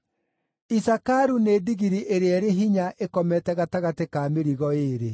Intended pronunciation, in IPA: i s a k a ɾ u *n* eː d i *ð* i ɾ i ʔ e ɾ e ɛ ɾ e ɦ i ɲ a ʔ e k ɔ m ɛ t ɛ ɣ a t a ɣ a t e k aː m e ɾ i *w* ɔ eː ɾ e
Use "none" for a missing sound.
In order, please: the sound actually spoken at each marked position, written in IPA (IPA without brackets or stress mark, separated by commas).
n, ɣ, ɣ